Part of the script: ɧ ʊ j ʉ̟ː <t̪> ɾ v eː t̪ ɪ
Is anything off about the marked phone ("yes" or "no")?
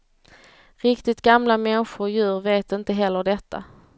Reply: yes